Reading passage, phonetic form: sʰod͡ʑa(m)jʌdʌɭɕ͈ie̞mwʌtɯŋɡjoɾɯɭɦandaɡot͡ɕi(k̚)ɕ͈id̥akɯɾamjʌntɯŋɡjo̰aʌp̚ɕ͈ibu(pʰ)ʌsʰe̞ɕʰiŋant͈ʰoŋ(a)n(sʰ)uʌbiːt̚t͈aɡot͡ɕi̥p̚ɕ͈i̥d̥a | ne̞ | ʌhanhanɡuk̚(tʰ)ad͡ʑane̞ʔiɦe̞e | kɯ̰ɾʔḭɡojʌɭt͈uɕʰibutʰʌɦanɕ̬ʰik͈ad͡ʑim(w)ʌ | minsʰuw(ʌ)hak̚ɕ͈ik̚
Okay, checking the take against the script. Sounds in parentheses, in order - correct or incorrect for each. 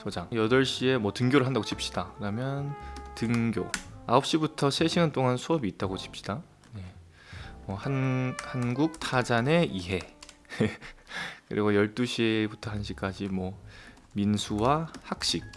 incorrect: ŋ, incorrect: p̚, incorrect: tʰ, correct, correct, correct, correct, incorrect: a

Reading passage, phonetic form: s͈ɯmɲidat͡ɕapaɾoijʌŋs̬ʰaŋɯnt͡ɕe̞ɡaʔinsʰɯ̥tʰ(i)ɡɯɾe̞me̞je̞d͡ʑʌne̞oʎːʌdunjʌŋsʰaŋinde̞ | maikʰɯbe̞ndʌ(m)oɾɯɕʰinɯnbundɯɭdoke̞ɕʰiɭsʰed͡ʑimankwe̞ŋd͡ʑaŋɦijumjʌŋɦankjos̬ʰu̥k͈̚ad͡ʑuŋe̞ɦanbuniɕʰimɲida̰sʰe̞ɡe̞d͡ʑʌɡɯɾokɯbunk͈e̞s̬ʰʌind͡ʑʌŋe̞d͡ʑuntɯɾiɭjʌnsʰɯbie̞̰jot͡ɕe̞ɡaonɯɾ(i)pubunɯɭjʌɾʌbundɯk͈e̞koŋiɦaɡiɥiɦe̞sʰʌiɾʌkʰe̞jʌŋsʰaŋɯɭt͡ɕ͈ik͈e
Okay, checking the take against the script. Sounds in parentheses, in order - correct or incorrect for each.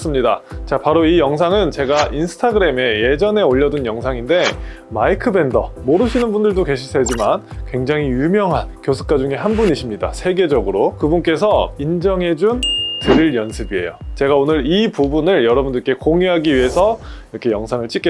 incorrect: a, correct, correct

